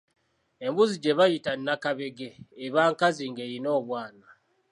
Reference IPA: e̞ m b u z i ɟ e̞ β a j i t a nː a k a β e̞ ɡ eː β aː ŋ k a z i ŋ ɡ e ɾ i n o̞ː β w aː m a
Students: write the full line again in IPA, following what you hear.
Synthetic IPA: e̞ m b u z i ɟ e̞ β a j i t a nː a k a β e̞ ɡ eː β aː ŋ k a z i ŋ ɡ e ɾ i n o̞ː β w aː n a